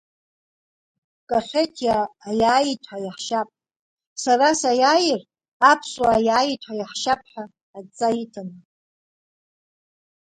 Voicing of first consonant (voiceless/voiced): voiceless